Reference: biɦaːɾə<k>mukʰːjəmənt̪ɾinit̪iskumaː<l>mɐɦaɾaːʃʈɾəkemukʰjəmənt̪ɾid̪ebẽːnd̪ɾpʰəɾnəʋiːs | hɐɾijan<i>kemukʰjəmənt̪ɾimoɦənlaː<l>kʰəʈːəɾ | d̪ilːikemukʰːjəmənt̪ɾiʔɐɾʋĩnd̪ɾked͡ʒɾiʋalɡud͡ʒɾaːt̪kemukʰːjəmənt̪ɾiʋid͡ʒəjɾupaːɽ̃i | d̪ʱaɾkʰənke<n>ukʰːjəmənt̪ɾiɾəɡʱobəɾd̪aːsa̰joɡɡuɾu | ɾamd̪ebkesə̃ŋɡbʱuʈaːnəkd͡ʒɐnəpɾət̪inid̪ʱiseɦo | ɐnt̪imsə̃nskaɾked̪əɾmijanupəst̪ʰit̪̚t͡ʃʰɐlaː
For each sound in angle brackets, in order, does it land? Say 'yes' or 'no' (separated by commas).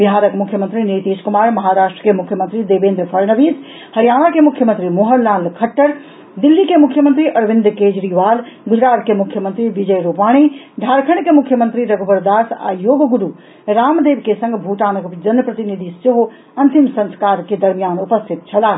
yes, no, no, yes, no